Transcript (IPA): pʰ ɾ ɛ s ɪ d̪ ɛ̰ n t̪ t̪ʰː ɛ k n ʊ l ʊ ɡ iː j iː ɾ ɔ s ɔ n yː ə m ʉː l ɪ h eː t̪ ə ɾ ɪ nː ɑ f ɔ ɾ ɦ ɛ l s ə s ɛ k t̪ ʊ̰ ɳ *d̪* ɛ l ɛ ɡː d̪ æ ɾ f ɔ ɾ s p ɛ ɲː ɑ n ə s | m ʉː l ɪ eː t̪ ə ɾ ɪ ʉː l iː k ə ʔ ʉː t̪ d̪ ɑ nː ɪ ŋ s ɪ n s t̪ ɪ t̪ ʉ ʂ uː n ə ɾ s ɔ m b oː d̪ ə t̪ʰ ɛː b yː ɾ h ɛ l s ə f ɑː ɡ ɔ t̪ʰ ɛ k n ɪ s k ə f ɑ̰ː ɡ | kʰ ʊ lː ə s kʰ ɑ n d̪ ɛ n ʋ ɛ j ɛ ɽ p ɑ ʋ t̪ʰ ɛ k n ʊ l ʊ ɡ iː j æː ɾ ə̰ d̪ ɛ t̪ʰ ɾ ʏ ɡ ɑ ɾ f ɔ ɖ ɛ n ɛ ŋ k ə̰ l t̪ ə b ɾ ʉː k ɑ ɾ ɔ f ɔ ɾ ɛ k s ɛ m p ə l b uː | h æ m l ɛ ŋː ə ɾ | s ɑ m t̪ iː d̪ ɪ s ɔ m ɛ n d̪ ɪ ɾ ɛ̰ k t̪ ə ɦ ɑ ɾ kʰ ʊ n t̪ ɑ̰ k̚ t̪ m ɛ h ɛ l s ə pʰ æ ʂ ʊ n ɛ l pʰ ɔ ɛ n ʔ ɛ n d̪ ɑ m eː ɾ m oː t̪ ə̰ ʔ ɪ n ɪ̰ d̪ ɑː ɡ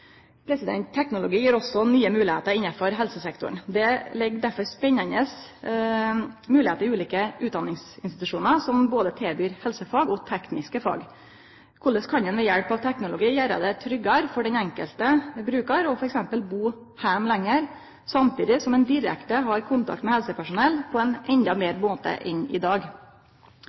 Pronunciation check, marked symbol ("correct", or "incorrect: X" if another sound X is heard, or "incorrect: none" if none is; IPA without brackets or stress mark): correct